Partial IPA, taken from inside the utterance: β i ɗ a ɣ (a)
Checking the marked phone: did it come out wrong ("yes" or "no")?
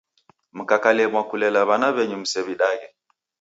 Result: yes